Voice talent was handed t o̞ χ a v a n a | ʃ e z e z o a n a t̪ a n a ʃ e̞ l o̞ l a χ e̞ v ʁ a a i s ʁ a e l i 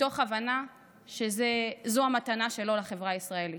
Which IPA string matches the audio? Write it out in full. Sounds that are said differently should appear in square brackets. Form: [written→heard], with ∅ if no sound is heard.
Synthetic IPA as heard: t o̞ χ a v a n a | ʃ e z e z o a [n→m] a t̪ a n a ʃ e̞ l o̞ l a χ e̞ v ʁ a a i s ʁ a e l i